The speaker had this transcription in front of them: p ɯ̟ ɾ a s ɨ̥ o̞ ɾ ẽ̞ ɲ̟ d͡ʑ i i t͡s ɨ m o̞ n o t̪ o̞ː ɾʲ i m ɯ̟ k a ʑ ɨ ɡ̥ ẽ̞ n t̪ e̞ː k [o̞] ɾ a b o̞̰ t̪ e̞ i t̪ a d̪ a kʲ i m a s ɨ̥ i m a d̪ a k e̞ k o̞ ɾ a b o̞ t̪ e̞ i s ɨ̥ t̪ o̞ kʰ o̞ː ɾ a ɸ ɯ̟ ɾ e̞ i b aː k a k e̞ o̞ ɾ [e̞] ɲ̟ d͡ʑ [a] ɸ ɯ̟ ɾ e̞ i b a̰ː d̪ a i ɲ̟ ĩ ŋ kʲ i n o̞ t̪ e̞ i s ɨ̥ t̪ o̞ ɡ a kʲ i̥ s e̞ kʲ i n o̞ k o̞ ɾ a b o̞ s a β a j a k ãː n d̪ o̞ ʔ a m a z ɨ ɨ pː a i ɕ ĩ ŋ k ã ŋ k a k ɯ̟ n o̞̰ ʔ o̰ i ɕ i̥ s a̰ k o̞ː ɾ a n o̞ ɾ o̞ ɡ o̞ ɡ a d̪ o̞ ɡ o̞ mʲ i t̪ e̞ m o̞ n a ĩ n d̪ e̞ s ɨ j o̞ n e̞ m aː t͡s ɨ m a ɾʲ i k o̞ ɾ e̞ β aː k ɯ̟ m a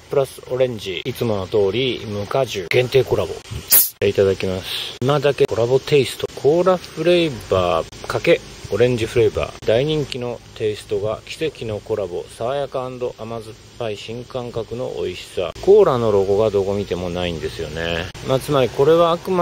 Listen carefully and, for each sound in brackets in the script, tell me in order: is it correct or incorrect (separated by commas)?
correct, incorrect, incorrect